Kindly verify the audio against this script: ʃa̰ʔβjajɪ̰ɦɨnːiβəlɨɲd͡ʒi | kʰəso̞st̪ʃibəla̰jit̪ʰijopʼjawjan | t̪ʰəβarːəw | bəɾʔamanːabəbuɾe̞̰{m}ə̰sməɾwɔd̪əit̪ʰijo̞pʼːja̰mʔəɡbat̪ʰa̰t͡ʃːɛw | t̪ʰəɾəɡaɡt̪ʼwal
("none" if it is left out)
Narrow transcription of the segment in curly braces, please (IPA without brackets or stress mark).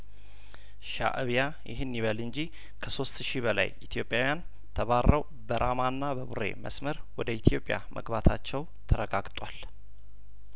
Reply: m